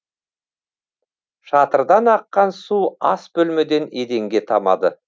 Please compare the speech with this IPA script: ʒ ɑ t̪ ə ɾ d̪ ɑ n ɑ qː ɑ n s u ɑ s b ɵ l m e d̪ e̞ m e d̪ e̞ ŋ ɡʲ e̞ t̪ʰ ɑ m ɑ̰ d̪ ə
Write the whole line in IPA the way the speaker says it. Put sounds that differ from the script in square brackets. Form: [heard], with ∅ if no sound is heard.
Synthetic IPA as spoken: [ʃ] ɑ t̪ ə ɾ d̪ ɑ n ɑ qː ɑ n s u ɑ s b ɵ l m e d̪ e̞ [n] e d̪ e̞ ŋ ɡʲ e̞ t̪ʰ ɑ m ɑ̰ d̪ ə